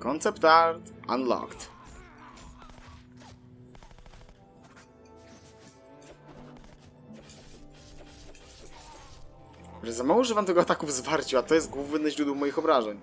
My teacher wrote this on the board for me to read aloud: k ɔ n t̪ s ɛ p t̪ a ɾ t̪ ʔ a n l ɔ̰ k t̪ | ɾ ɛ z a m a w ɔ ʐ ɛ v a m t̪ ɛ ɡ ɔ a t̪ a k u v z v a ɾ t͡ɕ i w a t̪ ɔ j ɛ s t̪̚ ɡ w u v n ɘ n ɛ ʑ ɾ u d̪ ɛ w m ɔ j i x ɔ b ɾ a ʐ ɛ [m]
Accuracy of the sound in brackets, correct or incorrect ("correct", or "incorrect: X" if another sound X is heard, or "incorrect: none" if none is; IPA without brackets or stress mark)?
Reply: incorrect: ɲ